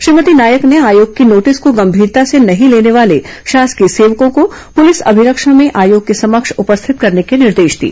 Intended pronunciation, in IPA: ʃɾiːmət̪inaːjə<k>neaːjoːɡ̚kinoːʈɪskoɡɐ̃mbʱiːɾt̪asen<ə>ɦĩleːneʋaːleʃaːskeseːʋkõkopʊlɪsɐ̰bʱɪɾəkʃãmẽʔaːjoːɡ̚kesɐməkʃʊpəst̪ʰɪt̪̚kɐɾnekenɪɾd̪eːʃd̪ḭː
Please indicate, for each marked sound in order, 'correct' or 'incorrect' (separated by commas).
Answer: correct, incorrect